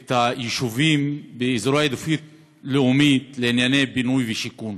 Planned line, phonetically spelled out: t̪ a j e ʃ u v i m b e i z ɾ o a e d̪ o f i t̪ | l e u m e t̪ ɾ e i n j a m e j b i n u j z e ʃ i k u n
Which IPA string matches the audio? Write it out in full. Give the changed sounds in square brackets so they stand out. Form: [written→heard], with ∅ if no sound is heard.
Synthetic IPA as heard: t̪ a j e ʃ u v i m b e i z ɾ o a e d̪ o f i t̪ | l e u m [e→i] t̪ [ɾ→l] e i n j a [m→n] e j b i n u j [z→v] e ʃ i k u n